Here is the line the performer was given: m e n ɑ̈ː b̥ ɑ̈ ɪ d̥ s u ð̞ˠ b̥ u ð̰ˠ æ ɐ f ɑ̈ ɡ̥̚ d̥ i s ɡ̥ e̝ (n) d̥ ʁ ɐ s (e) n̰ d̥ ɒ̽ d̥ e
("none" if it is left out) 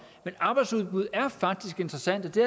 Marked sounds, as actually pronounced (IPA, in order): n, æ

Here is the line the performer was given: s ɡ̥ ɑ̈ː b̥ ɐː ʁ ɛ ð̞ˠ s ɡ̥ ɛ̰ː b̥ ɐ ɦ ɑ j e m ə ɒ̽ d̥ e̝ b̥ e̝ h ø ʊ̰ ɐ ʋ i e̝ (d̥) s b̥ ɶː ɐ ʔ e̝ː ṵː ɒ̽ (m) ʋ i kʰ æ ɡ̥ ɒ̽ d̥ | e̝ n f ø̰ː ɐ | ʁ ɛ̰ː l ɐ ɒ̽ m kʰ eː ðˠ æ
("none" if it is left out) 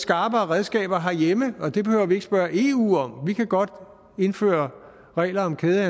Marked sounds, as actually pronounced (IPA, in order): ɡ̥, m

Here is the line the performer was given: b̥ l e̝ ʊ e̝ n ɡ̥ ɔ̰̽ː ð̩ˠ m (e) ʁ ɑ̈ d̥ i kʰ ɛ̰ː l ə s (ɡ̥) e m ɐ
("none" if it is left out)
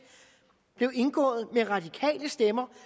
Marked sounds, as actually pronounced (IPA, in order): e, d̥

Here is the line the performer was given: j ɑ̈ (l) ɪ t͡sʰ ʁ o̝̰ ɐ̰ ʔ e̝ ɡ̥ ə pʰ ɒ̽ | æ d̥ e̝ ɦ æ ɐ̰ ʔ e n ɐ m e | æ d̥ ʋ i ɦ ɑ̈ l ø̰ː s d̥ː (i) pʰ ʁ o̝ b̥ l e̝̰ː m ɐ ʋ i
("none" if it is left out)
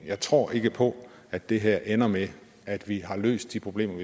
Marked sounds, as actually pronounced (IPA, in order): none, i

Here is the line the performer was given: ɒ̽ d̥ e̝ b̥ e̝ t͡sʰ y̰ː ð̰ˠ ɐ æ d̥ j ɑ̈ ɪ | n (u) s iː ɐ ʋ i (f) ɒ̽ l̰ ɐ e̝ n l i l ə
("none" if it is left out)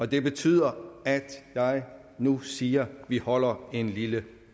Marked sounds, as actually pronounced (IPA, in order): u, h

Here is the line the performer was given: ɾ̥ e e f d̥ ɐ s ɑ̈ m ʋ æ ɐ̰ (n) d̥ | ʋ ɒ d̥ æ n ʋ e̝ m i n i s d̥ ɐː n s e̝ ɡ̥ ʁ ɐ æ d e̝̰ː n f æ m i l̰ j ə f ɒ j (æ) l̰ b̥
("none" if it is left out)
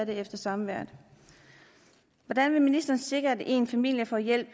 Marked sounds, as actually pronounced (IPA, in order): none, e

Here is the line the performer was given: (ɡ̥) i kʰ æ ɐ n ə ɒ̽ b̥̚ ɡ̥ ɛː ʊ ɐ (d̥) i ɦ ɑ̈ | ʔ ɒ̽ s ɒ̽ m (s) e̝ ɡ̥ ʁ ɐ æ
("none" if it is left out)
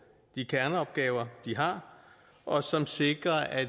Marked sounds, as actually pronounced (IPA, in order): d̥, d̥, s

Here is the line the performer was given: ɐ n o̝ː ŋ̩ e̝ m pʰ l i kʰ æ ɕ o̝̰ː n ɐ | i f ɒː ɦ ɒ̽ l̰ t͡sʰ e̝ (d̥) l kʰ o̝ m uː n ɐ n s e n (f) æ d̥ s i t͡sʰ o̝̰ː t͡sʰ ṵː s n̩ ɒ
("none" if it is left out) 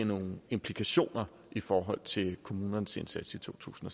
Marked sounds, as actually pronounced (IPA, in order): none, s

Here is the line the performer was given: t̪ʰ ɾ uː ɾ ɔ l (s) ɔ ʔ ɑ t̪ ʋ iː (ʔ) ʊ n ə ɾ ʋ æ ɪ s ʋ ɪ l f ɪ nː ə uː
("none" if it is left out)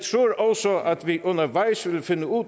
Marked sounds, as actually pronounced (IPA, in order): s, ʔ

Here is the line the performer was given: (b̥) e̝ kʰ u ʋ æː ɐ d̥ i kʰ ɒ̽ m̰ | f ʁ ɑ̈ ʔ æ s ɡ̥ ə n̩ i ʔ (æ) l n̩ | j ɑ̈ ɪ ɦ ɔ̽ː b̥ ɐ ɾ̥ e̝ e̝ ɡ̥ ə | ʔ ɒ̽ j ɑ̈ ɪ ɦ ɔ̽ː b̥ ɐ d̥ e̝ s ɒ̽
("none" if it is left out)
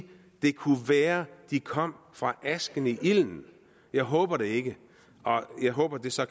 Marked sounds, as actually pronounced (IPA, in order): d̥, i

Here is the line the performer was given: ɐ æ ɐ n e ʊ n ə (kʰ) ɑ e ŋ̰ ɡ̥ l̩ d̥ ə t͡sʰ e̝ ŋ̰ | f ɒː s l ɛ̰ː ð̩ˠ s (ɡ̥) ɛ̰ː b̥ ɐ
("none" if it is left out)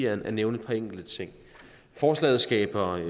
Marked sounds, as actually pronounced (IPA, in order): pʰ, ɡ̥

